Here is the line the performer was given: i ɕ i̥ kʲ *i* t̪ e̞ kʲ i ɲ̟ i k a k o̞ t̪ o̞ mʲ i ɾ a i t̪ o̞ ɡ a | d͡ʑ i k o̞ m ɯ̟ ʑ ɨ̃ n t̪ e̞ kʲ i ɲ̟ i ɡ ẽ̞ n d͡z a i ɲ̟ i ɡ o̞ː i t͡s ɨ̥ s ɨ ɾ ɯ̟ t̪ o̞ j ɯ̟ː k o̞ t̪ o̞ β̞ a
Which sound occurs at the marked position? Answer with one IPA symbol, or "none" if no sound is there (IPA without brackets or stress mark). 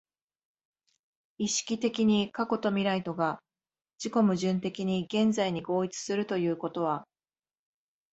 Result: i